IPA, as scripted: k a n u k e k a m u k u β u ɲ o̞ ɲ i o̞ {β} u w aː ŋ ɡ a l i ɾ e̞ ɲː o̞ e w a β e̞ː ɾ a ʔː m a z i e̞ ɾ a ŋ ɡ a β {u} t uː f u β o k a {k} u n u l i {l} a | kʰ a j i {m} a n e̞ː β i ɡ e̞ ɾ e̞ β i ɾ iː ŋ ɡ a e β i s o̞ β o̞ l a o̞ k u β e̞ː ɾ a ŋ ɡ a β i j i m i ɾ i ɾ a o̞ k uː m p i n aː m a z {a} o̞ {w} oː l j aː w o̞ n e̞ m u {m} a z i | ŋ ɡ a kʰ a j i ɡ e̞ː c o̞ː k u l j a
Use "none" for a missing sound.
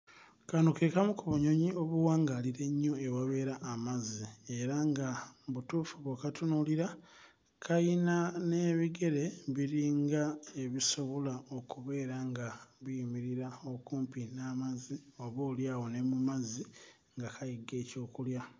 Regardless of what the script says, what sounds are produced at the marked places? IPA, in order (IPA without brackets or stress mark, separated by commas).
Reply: β, u, t, ɾ, n, i, β, m